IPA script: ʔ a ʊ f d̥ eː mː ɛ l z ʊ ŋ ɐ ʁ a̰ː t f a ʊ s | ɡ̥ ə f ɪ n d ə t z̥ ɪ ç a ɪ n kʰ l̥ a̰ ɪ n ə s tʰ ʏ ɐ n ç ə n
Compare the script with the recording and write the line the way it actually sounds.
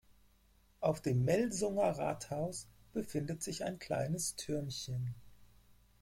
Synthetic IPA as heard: ʔ a ʊ f d̥ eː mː ɛ l z ʊ ŋ ɐ ʁ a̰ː t h a ʊ s | b̥ ə f ɪ n d ə t z̥ ɪ ç a ɪ n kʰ l̥ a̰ ɪ n ə s tʰ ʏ ɐ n ç ə n

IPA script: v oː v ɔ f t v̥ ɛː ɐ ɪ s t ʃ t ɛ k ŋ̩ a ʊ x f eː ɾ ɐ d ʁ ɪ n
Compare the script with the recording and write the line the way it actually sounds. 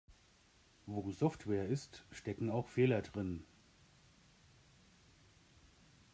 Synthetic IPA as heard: v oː z ɔ f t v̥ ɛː ɐ ɪ s t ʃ t ɛ k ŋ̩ a ʊ x f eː l ɐ d ʁ ɪ n

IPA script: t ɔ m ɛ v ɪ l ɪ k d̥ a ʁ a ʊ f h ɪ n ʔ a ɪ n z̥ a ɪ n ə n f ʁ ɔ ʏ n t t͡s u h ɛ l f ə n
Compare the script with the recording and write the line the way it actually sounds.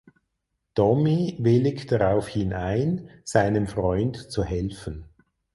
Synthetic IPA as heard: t ɔ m i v ɪ l ɪ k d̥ a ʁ a ʊ f h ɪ n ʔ a ɪ n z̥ a ɪ n ə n f ʁ ɔ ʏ n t t͡s u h ɛ l f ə n

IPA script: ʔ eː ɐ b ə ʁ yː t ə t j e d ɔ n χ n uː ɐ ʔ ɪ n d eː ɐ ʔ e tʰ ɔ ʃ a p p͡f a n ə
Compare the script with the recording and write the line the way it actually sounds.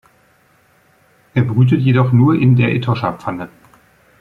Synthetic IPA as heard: ʔ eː ɐ b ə ʁ yː t ə t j e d ɔ χ n uː ɐ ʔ ɪ n d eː ɐ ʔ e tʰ ɔ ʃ a p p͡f a n ə

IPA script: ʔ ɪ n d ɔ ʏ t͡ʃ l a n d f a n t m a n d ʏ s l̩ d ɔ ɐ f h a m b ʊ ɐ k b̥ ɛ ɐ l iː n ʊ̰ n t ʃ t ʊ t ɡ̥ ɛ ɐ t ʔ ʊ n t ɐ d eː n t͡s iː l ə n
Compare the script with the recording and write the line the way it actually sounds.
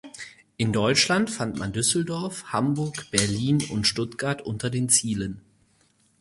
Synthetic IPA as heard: ʔ ɪ n d ɔ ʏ t͡ʃ l a n t f a n t m a n d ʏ s l̩ d ɔ ɐ f h a m b ʊ ɐ k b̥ ɛ ɐ l iː n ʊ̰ n t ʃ t ʊ t ɡ̥ a ɐ t ʔ ʊ n t ɐ d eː n t͡s iː l ə n

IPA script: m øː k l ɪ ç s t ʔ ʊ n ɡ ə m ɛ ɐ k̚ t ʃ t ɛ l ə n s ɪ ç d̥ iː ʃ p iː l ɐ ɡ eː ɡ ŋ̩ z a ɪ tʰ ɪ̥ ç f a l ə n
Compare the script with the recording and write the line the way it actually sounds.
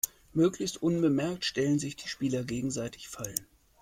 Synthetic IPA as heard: m øː k l ɪ ç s t ʔ ʊ n b ə m ɛ ɐ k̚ t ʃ t ɛ l ə n z ɪ ç d̥ iː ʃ p iː l ɐ ɡ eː ɡ ŋ̩ z a ɪ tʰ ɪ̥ ç f a l ə n

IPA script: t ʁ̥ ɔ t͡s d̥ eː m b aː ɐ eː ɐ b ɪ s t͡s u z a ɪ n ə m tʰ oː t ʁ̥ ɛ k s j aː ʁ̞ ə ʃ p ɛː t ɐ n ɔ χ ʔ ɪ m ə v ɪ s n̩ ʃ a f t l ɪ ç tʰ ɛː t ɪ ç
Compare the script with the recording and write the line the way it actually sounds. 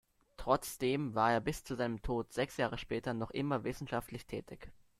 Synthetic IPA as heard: t ʁ̥ ɔ t͡s d̥ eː m v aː ɐ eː ɐ b ɪ s t͡s u z a ɪ n ə m tʰ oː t z̥ ɛ k s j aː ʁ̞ ə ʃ p ɛː t ɐ n ɔ χ ʔ ɪ m ɐ v ɪ s n̩ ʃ a f t l ɪ ç tʰ ɛː t ɪ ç

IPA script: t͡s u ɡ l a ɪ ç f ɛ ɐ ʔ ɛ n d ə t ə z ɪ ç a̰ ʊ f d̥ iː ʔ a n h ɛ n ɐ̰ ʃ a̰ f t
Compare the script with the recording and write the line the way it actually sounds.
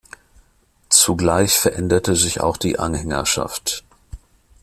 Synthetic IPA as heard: t͡s u ɡ l a ɪ ç f ɛ ɐ ʔ ɛ n d ɐ t ə z ɪ ç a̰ ʊ x d̥ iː ʔ a n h ɛ ŋ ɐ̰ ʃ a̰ f t

